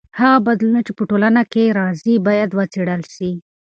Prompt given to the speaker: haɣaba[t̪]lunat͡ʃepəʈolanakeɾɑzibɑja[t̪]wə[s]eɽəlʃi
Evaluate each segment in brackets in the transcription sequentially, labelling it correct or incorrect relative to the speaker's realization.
incorrect, incorrect, incorrect

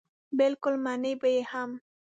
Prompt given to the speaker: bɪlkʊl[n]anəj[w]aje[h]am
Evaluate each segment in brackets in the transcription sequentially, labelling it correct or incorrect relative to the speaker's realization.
incorrect, incorrect, correct

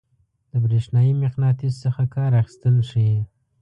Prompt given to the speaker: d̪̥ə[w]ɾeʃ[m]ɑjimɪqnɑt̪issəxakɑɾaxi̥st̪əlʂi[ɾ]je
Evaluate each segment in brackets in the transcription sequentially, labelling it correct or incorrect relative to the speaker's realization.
incorrect, incorrect, incorrect

